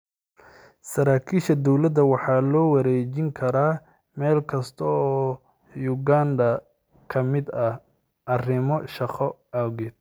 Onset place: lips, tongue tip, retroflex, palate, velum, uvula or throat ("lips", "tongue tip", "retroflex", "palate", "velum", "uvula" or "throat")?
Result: tongue tip